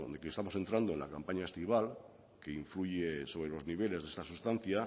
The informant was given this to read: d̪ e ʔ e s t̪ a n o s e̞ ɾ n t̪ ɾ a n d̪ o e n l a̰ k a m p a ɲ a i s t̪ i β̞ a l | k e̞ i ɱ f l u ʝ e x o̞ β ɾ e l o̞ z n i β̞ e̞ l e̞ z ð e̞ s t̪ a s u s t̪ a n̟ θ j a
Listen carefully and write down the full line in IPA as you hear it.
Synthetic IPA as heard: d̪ e k e s t̪ a m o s e̞ n t̪ ɾ a n d̪ o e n l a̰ k a m p a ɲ a e s t̪ i β̞ a l | k e̞ i ɱ f l u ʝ e s o̞ β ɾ e l o̞ z n i β̞ e̞ l e̞ z ð e̞ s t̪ a s u s t̪ a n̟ θ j a